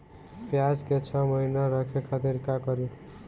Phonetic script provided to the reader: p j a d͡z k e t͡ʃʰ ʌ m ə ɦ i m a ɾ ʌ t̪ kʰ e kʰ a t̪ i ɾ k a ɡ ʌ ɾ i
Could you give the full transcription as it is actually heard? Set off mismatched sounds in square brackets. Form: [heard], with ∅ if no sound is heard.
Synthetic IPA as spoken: p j a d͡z k e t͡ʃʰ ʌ m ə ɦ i [n] a ɾ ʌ [∅] kʰ e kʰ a t̪ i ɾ k a [k] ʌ ɾ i